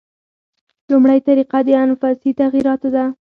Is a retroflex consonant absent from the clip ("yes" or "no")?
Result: no